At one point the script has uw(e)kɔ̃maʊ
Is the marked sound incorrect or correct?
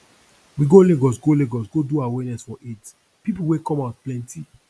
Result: correct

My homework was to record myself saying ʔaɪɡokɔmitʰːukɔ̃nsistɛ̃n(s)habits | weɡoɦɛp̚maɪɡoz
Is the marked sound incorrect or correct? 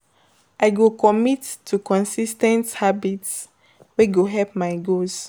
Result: incorrect: t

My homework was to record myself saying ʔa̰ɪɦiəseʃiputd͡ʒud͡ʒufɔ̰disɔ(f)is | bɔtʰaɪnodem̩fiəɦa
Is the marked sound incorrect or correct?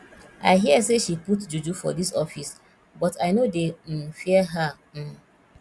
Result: correct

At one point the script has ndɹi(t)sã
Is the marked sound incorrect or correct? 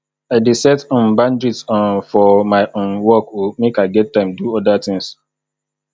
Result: correct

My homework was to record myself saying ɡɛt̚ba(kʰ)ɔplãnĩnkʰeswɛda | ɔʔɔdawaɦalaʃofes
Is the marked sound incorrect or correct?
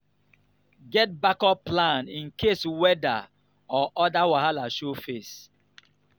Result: incorrect: k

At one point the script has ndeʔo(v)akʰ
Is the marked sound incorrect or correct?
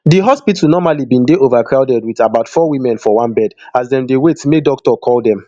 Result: correct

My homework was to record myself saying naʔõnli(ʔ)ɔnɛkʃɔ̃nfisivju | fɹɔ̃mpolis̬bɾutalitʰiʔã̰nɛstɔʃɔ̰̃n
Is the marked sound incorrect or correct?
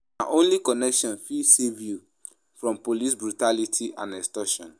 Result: incorrect: k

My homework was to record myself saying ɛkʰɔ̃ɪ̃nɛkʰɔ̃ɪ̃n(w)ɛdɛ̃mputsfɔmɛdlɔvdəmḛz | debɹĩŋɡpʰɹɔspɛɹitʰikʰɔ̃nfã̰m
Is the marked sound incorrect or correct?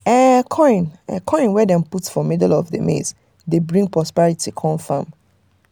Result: correct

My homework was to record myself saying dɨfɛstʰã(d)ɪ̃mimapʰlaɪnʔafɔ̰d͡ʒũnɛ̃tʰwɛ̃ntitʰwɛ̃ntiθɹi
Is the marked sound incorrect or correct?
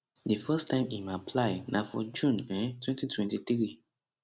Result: incorrect: none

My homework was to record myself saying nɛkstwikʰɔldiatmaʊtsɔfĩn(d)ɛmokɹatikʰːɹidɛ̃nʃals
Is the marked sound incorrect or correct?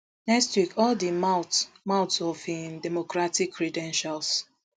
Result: correct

